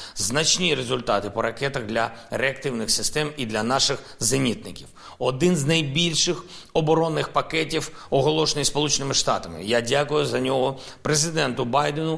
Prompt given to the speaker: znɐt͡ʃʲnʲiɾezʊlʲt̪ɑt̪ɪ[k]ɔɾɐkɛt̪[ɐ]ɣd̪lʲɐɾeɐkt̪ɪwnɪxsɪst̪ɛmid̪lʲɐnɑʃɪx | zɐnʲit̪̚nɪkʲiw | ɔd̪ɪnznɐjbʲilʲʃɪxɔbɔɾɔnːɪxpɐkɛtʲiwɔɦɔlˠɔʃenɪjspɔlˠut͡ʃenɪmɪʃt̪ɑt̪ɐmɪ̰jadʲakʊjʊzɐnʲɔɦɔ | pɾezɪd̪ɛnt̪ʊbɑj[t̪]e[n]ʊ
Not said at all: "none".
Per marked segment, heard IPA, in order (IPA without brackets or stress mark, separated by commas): p, ɐ, d̪, n